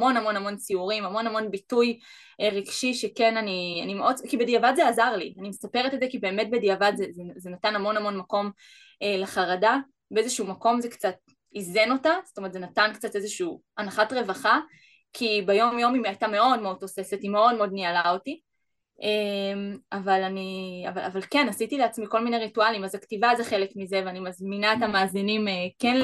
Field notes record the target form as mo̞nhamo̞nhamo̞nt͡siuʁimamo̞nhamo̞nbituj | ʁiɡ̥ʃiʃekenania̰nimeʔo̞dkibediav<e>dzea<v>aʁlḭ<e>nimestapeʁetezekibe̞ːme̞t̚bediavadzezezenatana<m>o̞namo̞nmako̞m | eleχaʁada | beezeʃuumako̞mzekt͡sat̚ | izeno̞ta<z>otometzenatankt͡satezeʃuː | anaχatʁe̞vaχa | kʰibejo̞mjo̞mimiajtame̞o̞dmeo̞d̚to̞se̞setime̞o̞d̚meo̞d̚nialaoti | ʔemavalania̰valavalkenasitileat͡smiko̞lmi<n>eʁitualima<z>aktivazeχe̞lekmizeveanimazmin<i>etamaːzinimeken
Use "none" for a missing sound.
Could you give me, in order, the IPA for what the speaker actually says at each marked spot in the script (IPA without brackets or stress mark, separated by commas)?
a, z, a, m, z, n, z, a